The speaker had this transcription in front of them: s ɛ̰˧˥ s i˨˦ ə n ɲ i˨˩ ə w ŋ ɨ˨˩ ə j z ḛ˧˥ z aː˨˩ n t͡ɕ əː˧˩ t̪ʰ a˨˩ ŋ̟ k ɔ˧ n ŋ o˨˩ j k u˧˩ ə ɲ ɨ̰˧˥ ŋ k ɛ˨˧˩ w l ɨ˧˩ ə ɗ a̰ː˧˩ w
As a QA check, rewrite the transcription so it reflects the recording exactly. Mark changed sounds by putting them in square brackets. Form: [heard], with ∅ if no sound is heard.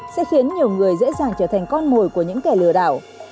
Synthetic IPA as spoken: s ɛ̰˧˥ [x] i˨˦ ə n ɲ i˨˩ ə w ŋ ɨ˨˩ ə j z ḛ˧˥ z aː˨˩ [ŋ] t͡ɕ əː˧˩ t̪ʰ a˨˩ ŋ̟ k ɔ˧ n [m] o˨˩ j k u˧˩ ə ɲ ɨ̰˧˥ ŋ k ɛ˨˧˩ [∅] l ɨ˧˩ ə ɗ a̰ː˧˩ w

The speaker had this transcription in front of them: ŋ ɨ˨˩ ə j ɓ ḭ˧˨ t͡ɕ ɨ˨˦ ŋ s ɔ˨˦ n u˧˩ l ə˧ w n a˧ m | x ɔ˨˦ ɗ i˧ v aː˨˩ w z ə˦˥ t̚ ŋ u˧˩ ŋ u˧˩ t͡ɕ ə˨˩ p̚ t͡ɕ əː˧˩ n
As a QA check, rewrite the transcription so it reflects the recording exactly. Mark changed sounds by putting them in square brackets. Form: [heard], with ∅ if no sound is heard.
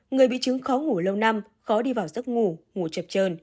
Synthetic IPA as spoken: ŋ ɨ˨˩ ə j ɓ ḭ˧˨ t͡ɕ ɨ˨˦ ŋ [x] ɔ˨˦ [ŋ] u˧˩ l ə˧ w n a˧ m | x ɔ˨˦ ɗ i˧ v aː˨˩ w z ə˦˥ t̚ ŋ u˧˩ ŋ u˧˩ t͡ɕ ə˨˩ p̚ t͡ɕ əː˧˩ n

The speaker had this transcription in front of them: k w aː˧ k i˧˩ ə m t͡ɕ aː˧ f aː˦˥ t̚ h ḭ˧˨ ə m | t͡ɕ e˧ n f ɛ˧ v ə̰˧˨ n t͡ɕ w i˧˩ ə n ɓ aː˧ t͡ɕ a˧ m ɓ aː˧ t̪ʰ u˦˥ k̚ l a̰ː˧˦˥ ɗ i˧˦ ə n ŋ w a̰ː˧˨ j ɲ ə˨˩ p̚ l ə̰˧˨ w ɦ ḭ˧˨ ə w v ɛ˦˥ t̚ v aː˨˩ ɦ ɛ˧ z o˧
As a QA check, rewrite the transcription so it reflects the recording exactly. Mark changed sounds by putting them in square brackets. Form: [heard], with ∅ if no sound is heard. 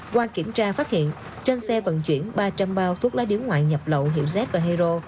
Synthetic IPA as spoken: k w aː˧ k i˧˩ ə m t͡ɕ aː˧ f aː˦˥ t̚ h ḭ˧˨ ə [n] | t͡ɕ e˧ n [s] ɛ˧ v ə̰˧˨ n t͡ɕ w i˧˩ ə n ɓ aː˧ t͡ɕ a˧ m ɓ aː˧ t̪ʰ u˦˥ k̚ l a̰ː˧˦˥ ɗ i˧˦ ə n ŋ w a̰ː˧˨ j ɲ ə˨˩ p̚ l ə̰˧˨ w ɦ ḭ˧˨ ə w [z] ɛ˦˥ t̚ v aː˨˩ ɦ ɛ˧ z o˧

